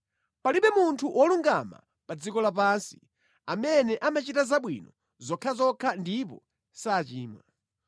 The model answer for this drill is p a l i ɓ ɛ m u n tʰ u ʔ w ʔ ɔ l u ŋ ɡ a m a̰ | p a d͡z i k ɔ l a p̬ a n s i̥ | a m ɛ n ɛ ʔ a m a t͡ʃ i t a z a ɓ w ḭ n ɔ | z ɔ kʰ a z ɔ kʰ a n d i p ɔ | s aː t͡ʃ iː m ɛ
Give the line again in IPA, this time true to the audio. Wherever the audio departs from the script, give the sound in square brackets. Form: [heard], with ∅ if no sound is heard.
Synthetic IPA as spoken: p a l i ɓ ɛ m u n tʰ u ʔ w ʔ ɔ l u ŋ ɡ a m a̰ | p a d͡z i k ɔ l a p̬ a n s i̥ | a m ɛ n ɛ ʔ a m a t͡ʃ i t a z a ɓ w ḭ n ɔ | z ɔ kʰ a z ɔ kʰ a n d i p ɔ | s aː t͡ʃ iː m [a]

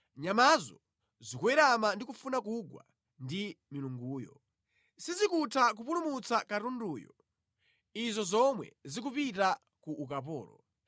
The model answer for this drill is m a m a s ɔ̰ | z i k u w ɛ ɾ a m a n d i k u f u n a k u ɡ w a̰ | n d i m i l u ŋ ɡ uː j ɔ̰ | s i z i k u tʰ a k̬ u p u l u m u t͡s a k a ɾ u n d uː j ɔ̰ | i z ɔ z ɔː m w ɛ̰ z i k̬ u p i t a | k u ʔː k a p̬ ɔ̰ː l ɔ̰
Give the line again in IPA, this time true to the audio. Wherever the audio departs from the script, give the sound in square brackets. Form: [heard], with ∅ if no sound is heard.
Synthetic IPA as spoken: [ɲ] a m a [z] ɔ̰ | z i k u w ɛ ɾ a m a n d i k u f u n a k u ɡ w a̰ | n d i m i l u ŋ ɡ uː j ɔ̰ | s i z i k u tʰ a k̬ u p u l u m u t͡s a k a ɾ u n d uː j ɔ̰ | i z ɔ z [ɔ] m w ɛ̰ z i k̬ u p i t a | k u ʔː k a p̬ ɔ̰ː l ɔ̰

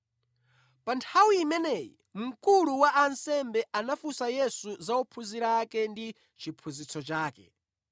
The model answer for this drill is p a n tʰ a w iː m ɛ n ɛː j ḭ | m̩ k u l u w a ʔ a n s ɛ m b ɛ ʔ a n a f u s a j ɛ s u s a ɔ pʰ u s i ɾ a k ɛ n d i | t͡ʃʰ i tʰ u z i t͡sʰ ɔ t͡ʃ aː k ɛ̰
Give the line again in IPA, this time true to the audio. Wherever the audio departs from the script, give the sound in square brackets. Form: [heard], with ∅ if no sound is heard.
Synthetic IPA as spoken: p a n tʰ a w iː m ɛ n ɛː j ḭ | m̩ k u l u w a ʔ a n s ɛ m b ɛ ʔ a n a f u s a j ɛ s u [z] a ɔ pʰ u [z] i ɾ a k ɛ n d i | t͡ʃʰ i [pʰ] u z i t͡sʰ ɔ t͡ʃ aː k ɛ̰

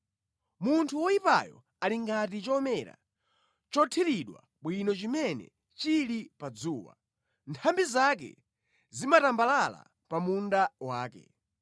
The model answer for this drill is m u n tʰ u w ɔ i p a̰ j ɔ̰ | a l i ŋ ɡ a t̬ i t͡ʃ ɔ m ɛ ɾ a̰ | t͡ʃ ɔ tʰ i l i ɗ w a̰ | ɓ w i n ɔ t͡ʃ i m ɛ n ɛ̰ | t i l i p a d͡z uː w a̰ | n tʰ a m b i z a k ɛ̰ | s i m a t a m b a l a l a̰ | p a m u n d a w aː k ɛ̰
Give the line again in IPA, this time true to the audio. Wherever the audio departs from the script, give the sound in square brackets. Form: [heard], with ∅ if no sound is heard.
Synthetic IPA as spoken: m u n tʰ u w ɔ i p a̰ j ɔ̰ | a l i ŋ ɡ a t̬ i t͡ʃ ɔ m ɛ ɾ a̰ | t͡ʃ ɔ tʰ i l i ɗ w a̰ | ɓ w i n ɔ t͡ʃ i m ɛ n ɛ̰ | [t͡ʃ] i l i p a d͡z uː w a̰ | n tʰ a m b i z a k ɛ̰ | [z] i m a t a m b a l a l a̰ | p a m u n d a w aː k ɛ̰

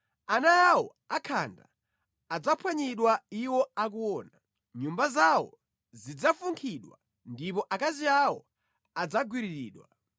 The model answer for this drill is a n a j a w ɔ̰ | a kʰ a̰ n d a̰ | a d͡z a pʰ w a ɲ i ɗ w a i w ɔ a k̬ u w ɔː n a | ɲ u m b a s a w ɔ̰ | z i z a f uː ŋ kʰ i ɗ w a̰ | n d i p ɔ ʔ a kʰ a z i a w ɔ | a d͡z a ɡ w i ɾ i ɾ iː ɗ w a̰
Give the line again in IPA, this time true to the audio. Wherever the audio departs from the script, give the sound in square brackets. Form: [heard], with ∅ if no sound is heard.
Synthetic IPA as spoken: a n a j a w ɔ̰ | a kʰ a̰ n d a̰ | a d͡z a pʰ w a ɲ i ɗ w a i w ɔ a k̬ u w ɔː n a | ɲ u m b a [z] a w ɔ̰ | z i [d͡z] a f [u] ŋ kʰ i ɗ w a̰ | n d i p ɔ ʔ a [k] a z i a w ɔ | a d͡z a ɡ w i ɾ i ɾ iː ɗ w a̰

